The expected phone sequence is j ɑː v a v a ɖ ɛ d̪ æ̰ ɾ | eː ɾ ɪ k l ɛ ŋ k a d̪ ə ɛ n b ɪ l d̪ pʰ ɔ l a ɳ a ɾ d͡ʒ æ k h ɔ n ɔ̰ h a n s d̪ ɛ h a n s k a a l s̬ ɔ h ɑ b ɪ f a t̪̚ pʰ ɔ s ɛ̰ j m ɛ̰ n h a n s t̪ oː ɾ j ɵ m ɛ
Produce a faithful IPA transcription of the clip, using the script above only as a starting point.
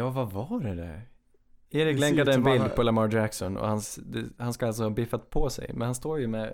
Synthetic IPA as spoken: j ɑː v a v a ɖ ɛ d̪ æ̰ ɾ | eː ɾ ɪ k l ɛ ŋ k a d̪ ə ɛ n b ɪ l d̪ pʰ ɔ l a m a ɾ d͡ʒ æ k s ɔ n ɔ̰ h a n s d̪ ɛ h a n s k a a l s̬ ɔ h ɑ b ɪ f a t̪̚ pʰ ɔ s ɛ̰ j m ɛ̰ n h a n s t̪ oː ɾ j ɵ m ɛ